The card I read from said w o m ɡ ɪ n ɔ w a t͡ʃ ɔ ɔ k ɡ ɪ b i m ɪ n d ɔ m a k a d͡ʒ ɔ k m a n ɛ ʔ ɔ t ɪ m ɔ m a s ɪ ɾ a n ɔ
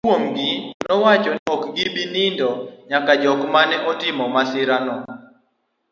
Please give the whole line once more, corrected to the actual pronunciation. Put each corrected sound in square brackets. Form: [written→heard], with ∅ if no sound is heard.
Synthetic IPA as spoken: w o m ɡ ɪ n ɔ w a t͡ʃ ɔ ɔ k ɡ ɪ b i [m→n] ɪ n d ɔ [m→ɲ] a k a d͡ʒ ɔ k m a n ɛ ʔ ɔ t ɪ m ɔ m a s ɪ ɾ a n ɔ